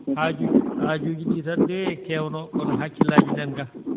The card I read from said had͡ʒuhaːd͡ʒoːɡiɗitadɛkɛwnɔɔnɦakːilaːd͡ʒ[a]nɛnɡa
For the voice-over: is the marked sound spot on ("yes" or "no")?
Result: no